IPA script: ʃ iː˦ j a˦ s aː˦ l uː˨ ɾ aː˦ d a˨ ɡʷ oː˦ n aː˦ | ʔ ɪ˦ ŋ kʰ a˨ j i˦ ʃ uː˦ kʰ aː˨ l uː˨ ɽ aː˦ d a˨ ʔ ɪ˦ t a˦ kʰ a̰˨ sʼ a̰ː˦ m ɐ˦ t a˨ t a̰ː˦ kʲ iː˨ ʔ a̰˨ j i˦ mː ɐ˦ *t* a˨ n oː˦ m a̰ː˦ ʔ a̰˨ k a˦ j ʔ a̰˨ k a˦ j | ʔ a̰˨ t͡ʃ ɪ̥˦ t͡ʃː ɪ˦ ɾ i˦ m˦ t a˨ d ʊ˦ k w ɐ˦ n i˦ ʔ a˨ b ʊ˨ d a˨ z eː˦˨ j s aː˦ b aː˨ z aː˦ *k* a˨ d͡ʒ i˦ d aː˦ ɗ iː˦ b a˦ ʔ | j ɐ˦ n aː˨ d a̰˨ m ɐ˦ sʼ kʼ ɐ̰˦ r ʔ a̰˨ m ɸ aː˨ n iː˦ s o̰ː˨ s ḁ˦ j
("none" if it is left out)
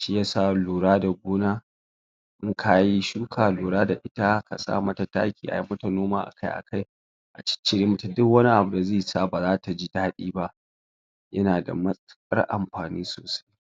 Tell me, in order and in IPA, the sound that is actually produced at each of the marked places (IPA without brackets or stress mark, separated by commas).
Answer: t, t